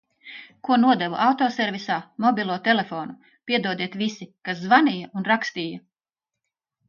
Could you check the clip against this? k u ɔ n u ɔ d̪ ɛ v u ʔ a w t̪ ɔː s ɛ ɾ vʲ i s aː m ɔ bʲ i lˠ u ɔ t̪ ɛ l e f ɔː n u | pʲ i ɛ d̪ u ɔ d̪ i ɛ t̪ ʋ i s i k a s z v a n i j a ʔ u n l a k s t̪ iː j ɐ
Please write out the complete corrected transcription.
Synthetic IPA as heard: k u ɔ n u ɔ d̪ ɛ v u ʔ a w t̪ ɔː s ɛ ɾ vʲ i s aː m ɔ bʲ i lˠ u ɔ t̪ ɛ l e f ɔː n u | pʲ i ɛ d̪ u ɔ d̪ i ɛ t̪ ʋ i s i k a s z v a n i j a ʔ u n ɾ a k s t̪ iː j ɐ